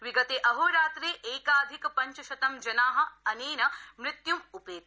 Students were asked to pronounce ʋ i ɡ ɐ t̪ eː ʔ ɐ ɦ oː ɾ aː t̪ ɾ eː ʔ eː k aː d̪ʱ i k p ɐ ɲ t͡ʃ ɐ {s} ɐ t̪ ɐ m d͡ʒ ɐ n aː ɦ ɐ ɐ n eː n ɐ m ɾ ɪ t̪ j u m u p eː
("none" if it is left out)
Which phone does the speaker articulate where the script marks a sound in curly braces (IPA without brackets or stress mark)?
ʃ